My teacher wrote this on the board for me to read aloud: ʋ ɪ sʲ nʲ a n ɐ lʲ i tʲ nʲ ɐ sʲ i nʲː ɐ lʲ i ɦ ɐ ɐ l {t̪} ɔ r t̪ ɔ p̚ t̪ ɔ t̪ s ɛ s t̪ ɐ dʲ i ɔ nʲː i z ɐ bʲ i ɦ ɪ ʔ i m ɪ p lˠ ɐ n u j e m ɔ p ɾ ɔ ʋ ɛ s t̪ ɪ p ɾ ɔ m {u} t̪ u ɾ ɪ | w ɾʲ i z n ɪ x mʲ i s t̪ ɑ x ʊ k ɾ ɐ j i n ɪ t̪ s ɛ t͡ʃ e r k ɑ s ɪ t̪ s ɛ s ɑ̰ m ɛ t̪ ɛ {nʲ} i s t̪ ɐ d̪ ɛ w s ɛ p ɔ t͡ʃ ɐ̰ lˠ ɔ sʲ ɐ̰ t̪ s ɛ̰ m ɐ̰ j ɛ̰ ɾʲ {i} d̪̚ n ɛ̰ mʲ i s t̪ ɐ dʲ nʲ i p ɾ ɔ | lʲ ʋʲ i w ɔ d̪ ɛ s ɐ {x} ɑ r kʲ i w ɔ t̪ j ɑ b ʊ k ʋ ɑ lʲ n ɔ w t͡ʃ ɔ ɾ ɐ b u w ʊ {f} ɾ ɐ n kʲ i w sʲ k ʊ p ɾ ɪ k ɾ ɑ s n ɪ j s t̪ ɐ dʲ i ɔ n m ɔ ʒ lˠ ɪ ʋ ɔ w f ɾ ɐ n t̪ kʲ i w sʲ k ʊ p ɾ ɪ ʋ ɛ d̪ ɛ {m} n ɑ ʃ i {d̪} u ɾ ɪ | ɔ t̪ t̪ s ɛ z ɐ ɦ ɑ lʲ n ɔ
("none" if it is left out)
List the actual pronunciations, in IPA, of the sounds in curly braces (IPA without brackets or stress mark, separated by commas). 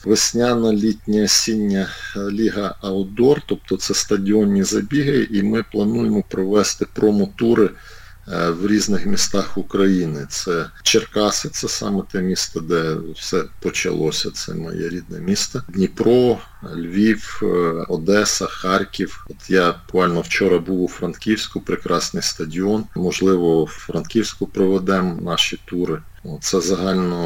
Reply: d̪, ɔ, mʲ, i, x, f, m, t̪